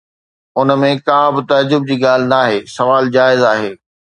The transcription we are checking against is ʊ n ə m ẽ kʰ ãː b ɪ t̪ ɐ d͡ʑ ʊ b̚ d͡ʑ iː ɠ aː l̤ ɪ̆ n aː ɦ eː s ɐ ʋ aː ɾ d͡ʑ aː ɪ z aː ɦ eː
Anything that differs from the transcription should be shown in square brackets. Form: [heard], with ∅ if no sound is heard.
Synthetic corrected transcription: ʊ n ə m ẽ [k] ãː b ɪ t̪ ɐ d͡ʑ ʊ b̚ d͡ʑ iː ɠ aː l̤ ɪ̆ n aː ɦ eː s ɐ ʋ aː [l] d͡ʑ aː ɪ z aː ɦ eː